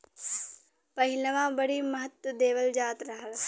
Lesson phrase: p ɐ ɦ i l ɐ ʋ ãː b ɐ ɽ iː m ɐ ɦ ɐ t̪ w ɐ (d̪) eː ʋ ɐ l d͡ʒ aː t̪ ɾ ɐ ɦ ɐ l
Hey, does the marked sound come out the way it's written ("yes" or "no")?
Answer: yes